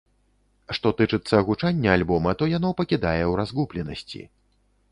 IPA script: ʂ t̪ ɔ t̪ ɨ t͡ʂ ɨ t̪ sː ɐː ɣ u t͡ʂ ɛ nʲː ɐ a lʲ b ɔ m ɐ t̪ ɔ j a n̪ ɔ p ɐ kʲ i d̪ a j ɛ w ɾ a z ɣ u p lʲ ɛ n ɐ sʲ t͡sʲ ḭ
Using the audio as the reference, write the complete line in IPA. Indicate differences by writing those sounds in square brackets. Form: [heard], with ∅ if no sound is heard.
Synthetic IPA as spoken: ʂ t̪ ɔ t̪ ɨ t͡ʂ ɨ t̪ sː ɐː ɣ u t͡ʂ [a] nʲː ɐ a lʲ b ɔ m ɐ t̪ ɔ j a n̪ ɔ p ɐ kʲ i d̪ a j ɛ w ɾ a z ɣ u p lʲ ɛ n ɐ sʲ t͡sʲ ḭ

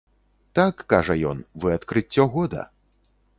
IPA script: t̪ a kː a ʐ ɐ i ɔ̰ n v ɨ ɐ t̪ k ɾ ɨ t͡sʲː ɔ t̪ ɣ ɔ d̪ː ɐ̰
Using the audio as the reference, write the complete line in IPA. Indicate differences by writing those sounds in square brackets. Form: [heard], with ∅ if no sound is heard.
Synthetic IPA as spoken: t̪ a kː a ʐ ɐ [j] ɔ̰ n v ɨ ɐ t̪ k ɾ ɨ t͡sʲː ɔ [∅] ɣ ɔ [d̪] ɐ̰

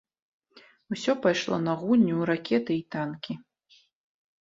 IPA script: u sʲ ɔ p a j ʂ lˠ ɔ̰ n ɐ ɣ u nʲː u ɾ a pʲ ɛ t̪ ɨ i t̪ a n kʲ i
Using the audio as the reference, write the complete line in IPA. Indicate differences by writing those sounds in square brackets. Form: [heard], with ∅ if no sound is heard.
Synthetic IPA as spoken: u sʲ ɔ p a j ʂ lˠ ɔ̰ n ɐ ɣ u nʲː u ɾ a [kʲ] ɛ t̪ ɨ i t̪ a n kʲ i

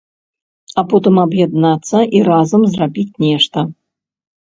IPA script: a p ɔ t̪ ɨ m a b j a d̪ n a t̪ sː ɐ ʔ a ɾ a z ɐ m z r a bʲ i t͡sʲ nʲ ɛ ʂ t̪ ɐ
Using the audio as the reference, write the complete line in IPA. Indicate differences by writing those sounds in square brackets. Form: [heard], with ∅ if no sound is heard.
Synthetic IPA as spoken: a p ɔ t̪ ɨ m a b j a d̪ n a t̪ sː ɐ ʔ [i] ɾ a z ɐ m z r a bʲ i t͡sʲ nʲ ɛ ʂ t̪ ɐ

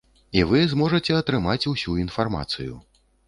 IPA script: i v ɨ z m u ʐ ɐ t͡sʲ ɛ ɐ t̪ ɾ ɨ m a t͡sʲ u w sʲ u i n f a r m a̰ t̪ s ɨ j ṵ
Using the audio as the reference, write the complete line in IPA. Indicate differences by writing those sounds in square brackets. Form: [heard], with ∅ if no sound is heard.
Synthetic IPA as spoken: i v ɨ z m [ɔ] ʐ ɐ t͡sʲ ɛ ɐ t̪ ɾ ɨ m a t͡sʲ u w sʲ u i n f a r m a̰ t̪ s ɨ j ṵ

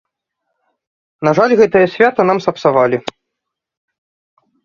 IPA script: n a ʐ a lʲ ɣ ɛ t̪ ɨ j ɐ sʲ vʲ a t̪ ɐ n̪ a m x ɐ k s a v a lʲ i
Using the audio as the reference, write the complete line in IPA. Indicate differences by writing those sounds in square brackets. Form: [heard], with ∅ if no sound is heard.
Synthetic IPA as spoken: n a ʐ a lʲ ɣ ɛ t̪ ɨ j ɐ sʲ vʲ a t̪ ɐ n̪ a m [s] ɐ [p] s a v a lʲ i

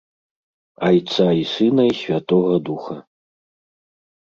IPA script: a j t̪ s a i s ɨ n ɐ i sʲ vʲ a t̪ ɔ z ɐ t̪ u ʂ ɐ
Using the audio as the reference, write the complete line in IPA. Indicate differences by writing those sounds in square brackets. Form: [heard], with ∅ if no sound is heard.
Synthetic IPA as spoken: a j t̪ s a i s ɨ n ɐ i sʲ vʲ a t̪ ɔ [ɣ] ɐ [d̪] u [x] ɐ

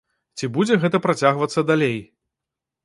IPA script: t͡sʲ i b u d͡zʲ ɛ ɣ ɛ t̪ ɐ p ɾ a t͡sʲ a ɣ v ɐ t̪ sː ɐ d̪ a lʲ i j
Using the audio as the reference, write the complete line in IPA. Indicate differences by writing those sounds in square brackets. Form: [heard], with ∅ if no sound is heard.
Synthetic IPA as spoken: t͡sʲ i b u d͡zʲ ɛ ɣ ɛ t̪ ɐ p ɾ a t͡sʲ a ɣ v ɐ t̪ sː ɐ d̪ a lʲ [e] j

